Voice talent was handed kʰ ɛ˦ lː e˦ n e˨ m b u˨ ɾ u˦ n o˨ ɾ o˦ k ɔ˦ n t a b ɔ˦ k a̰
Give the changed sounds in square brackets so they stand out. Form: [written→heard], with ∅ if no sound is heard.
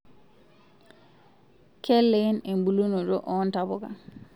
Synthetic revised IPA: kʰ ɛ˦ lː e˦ n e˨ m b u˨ [ɾ→l] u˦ n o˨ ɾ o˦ [k→ʔ] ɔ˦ n t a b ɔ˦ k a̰